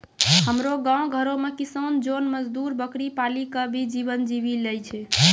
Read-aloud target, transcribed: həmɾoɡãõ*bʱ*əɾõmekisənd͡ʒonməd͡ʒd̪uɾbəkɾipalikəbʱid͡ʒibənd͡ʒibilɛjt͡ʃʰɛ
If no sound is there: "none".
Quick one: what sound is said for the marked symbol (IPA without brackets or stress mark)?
ɡʱ